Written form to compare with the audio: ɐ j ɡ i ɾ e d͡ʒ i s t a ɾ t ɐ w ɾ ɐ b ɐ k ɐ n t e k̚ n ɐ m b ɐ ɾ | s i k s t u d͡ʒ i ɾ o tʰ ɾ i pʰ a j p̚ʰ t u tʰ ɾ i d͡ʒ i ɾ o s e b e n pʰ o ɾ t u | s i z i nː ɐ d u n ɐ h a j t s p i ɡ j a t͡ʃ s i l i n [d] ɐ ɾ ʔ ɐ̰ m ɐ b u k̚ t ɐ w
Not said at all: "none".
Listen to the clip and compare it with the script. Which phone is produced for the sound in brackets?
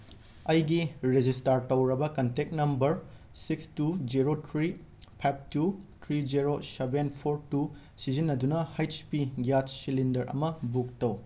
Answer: d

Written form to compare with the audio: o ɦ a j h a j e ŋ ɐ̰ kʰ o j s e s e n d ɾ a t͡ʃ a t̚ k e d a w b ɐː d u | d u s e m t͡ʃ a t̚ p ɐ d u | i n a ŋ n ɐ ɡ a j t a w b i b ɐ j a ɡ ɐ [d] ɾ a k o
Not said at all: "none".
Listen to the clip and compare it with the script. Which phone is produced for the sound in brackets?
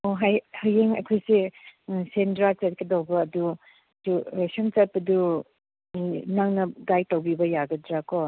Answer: d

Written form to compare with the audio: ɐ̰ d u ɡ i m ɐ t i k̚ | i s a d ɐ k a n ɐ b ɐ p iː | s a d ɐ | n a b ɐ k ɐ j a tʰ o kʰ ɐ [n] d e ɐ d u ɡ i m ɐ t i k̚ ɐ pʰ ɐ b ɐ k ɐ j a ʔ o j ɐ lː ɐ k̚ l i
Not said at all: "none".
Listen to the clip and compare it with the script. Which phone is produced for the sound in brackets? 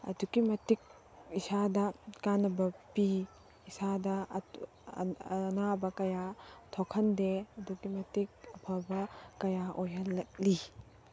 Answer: n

